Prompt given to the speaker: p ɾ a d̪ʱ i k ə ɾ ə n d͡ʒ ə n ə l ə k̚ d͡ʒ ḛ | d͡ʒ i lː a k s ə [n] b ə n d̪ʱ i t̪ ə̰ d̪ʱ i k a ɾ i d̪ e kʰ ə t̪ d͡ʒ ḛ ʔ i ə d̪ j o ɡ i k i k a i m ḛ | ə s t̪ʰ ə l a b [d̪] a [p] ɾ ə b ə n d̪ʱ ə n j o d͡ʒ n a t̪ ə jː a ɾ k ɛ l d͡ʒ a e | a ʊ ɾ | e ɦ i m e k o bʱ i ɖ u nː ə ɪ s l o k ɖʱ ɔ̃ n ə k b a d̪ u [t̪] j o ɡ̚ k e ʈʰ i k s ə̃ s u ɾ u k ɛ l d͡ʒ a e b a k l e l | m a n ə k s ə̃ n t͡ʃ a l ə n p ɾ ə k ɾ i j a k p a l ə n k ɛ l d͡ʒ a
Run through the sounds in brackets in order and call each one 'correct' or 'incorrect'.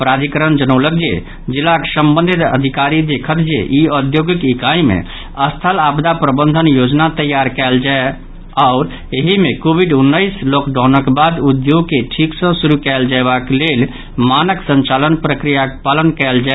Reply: incorrect: m, correct, correct, incorrect: d̪

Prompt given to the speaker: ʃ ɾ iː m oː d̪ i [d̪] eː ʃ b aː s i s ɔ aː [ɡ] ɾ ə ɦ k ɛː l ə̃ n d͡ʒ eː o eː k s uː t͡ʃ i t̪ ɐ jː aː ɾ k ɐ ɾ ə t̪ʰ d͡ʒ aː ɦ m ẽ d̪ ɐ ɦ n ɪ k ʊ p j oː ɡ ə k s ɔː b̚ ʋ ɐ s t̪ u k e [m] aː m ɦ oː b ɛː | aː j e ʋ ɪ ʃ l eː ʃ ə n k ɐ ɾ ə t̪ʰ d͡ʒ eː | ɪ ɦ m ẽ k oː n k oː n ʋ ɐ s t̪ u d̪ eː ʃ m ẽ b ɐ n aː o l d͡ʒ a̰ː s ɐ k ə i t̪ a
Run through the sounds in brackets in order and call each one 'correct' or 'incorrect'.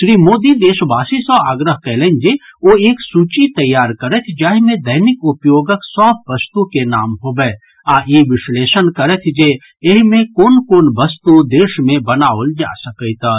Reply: correct, correct, incorrect: n

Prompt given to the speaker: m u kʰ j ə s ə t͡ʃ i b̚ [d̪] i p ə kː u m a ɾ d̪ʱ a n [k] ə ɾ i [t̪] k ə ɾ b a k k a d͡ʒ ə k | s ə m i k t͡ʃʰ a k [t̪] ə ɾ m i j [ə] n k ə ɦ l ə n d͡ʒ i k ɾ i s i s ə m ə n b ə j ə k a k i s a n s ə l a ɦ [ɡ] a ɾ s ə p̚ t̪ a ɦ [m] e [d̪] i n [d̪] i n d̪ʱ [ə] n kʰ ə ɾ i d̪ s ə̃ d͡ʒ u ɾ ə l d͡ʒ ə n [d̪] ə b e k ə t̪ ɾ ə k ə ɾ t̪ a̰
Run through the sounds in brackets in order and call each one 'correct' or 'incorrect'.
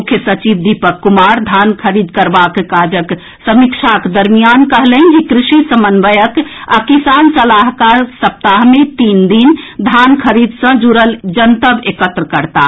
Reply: correct, incorrect: kʰ, incorrect: d̪, incorrect: d̪, incorrect: a, incorrect: k, correct, incorrect: t̪, correct, incorrect: a, incorrect: t̪

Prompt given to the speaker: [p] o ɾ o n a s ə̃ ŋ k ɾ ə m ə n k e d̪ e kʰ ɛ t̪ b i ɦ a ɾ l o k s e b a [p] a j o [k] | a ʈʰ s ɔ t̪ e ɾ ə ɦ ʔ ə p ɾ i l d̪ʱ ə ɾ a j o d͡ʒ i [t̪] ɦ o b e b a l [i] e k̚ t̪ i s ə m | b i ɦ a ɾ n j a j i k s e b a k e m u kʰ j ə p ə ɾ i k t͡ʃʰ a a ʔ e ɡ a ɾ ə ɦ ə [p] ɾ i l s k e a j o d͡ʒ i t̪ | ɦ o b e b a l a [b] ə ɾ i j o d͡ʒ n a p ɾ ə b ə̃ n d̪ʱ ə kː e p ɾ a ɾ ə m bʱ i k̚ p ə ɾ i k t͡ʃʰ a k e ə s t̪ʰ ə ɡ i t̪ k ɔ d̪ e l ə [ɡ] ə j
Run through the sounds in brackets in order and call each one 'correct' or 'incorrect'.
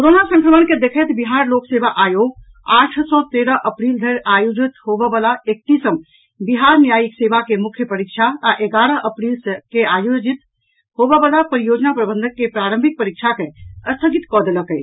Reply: incorrect: k, incorrect: ʔ, incorrect: ɡ, correct, incorrect: a, correct, incorrect: p, incorrect: k

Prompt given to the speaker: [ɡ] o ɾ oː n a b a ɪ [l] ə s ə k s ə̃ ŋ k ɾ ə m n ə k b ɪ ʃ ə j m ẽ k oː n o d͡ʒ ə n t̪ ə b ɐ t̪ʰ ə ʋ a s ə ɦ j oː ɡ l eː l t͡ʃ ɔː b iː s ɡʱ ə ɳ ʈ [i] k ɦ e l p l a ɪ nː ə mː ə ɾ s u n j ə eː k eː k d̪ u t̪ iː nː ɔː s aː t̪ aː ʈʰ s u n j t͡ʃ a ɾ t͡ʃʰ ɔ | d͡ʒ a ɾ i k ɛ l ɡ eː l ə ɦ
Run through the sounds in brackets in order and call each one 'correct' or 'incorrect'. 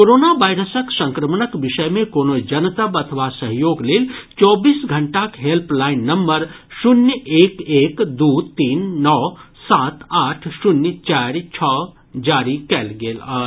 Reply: incorrect: k, incorrect: ɾ, incorrect: a

